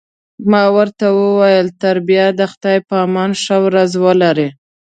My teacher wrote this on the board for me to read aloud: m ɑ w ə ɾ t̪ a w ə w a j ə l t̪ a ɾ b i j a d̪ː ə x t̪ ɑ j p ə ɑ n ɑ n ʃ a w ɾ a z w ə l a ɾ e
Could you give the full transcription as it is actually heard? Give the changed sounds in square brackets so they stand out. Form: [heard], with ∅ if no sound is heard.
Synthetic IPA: m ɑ w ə ɾ t̪ a w ə w a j ə l t̪ a ɾ b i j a [d̪] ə x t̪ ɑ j p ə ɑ [m] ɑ n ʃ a w ɾ a z w ə l a ɾ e